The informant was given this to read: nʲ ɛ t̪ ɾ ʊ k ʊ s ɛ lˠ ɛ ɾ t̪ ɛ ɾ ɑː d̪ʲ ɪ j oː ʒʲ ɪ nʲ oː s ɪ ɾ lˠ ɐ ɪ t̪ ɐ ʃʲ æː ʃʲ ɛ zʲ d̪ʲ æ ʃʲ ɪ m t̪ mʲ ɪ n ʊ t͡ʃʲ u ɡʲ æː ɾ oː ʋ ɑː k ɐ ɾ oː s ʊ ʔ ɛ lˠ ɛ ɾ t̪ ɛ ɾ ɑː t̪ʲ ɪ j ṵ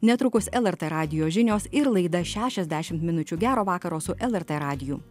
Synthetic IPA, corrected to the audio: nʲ ɛ t̪ ɾ ʊ k ʊ s ɛ lˠ ɛ ɾ t̪ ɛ ɾ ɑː d̪ʲ ɪ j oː ʒʲ ɪ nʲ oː s ɪ ɾ lˠ ɐ ɪ d̪ ɐ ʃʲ æː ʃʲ ɛ zʲ d̪ʲ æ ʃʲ ɪ m t̪ mʲ ɪ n ʊ t͡ʃʲ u ɡʲ æː ɾ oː ʋ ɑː k ɐ ɾ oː s ʊ ʔ ɛ lˠ ɛ ɾ t̪ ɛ ɾ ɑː d̪ʲ ɪ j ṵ